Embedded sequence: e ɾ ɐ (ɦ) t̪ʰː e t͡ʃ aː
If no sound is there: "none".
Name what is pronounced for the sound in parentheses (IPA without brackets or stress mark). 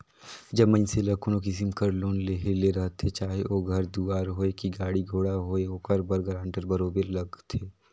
ɦ